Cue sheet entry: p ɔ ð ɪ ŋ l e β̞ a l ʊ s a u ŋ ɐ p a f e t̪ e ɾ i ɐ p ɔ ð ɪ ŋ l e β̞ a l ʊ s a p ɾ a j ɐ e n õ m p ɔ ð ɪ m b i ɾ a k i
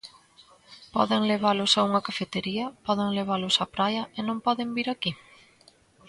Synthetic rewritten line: p ɔ ð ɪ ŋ l e β̞ a l ʊ s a u ŋ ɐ k a f e t̪ e ɾ i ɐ p ɔ ð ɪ ŋ l e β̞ a l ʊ s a p ɾ a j ɐ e n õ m p ɔ ð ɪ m b i ɾ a k i